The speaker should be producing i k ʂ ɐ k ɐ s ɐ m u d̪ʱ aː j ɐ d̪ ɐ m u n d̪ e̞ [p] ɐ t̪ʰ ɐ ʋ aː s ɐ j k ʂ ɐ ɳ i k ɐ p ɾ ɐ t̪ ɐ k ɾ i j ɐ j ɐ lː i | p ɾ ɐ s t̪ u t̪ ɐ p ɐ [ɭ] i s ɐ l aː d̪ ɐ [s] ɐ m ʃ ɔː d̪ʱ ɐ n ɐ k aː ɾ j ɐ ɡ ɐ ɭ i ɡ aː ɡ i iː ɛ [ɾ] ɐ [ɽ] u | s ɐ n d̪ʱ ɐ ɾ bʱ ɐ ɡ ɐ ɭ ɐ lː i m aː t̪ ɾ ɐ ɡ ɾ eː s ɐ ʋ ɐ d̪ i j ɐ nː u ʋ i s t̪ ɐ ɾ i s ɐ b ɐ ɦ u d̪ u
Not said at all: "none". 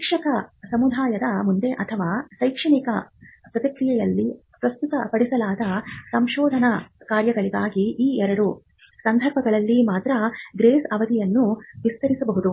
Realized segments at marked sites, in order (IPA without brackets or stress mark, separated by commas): ʔ, ɽ, s, ɾ, ɾ